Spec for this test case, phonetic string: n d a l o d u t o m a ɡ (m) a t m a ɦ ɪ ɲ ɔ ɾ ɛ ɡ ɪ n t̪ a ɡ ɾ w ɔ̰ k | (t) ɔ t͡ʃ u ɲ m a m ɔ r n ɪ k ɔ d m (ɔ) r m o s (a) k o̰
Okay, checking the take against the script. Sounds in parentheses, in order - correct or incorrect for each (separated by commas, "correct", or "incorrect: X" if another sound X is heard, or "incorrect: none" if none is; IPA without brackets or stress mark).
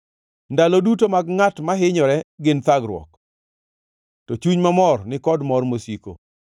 incorrect: ŋ, correct, correct, incorrect: i